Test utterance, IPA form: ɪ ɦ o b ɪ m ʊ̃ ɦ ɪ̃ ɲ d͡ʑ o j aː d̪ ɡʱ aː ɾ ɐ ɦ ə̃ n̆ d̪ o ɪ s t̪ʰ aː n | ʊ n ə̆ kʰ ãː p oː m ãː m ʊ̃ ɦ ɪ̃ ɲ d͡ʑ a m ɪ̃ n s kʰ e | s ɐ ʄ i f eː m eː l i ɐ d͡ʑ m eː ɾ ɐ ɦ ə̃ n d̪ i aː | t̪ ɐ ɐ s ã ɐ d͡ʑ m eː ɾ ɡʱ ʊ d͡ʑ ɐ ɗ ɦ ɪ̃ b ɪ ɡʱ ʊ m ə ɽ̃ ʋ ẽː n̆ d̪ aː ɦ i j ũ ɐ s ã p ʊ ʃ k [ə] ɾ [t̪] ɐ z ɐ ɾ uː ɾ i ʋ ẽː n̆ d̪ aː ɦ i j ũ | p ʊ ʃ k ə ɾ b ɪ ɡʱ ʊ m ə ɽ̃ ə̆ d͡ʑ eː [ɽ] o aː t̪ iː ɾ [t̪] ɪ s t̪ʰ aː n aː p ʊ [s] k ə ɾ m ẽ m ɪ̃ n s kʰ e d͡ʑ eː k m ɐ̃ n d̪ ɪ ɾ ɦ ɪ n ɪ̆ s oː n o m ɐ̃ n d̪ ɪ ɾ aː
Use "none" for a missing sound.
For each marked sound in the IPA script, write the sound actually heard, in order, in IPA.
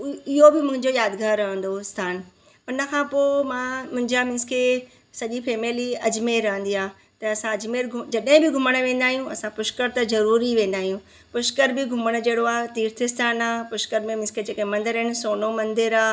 ə, t̪, ɽ, t̪ʰ, ʃ

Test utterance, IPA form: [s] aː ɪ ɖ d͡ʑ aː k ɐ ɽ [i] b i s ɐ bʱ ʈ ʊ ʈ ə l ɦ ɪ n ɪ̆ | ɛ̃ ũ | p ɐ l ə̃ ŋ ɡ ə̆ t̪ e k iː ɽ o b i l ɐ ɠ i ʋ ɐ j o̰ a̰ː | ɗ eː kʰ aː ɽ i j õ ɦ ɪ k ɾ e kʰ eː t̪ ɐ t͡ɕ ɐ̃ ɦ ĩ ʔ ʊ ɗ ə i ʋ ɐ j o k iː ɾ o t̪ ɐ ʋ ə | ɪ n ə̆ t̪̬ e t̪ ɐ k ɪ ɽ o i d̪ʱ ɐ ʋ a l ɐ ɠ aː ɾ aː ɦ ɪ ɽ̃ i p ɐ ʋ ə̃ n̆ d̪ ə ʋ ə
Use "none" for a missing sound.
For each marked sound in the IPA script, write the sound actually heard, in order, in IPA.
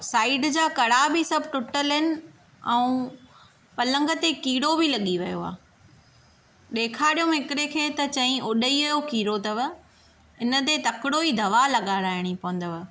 s, a

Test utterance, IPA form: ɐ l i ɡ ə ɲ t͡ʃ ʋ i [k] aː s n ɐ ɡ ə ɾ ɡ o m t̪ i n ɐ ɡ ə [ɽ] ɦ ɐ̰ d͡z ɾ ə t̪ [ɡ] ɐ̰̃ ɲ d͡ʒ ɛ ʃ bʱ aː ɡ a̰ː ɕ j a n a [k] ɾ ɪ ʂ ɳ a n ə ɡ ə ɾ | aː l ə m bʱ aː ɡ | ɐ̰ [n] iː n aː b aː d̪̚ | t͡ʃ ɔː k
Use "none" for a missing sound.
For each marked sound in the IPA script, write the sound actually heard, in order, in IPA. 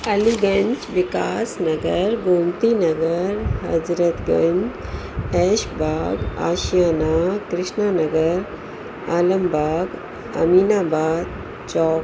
k, ɾ, ɡ, k, m

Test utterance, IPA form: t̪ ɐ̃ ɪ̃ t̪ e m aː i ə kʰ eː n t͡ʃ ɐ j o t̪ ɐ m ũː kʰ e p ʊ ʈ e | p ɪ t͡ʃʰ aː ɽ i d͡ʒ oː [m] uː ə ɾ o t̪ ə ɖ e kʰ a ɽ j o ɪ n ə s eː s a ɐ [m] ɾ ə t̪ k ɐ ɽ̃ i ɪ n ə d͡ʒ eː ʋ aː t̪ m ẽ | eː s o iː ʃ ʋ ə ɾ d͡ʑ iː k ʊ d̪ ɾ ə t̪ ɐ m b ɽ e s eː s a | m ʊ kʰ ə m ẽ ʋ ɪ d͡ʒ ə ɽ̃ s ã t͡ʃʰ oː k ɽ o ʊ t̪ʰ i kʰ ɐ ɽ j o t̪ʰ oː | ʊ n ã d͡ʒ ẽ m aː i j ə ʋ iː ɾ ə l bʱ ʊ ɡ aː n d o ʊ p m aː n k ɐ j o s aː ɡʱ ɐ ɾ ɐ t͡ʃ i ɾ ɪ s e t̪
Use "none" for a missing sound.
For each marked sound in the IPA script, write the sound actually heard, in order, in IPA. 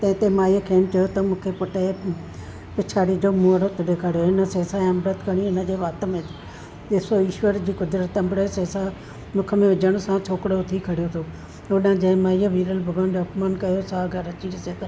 m, m

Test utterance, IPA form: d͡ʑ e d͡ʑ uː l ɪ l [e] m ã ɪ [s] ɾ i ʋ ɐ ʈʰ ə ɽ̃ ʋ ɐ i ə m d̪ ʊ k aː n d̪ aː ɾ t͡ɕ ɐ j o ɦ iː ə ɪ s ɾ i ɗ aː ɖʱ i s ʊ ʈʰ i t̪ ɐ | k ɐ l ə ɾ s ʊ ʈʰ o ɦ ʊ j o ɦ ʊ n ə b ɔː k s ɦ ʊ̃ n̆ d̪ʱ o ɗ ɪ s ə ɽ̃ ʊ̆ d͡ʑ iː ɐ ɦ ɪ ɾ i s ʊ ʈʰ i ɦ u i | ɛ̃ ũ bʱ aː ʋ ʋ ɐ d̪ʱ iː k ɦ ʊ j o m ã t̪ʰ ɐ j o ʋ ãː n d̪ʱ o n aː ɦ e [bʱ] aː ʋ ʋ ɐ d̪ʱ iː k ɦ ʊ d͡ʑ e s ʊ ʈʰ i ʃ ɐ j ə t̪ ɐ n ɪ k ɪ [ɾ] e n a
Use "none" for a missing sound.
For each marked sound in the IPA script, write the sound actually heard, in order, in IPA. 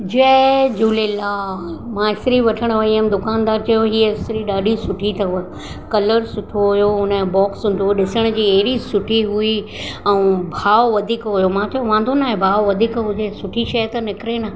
a, s, bʱ, ɾ

